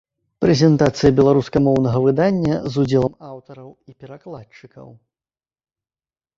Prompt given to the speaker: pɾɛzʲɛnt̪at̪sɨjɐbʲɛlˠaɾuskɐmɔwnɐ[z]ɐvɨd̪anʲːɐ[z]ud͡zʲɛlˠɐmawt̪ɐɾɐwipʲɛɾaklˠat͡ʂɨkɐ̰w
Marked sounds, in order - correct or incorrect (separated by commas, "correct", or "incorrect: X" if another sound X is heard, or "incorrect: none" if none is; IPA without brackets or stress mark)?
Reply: incorrect: ɣ, correct